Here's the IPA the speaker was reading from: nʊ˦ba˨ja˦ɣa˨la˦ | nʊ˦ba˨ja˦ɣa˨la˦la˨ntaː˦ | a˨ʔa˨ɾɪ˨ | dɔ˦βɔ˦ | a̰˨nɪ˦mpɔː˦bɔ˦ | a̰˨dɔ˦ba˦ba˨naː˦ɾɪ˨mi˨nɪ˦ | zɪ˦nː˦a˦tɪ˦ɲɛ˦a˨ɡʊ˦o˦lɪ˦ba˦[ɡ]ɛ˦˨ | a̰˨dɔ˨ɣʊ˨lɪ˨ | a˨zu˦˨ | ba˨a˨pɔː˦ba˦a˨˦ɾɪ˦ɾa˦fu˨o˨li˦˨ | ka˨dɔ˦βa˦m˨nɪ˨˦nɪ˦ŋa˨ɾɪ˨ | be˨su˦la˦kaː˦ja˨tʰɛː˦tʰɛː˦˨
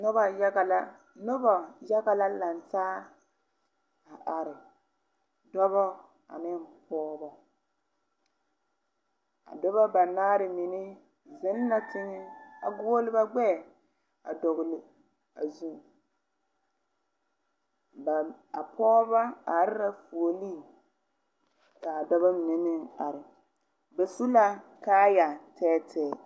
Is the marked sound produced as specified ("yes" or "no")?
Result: no